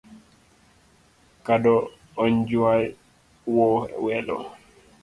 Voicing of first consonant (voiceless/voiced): voiceless